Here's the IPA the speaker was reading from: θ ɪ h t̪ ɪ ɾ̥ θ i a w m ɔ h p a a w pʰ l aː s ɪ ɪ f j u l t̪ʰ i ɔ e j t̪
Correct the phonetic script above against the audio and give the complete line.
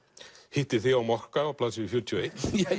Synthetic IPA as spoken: h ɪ h t̪ ɪ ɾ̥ θ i a w m ɔ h k a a w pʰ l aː s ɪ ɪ f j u ɾ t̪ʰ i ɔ e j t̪